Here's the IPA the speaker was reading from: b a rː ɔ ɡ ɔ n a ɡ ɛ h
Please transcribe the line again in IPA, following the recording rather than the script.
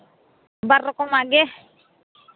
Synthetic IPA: b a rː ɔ k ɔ m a ɡ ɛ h